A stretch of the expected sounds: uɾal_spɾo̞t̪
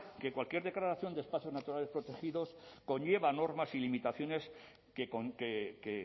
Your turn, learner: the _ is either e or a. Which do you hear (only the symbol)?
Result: e